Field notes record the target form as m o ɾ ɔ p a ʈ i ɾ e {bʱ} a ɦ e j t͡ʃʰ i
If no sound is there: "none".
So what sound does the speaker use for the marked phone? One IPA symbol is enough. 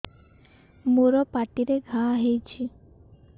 ɡʱ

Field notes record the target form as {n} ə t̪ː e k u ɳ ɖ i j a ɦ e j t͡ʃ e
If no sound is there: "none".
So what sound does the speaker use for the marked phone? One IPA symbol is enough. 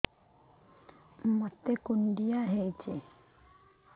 m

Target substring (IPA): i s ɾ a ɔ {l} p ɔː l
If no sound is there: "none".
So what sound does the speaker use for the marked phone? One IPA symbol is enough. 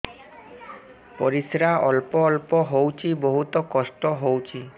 l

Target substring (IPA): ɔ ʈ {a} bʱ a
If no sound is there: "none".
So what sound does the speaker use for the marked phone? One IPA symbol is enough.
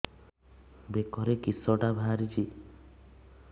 a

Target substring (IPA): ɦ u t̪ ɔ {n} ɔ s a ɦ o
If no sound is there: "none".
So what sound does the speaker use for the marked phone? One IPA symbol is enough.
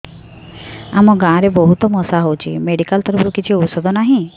m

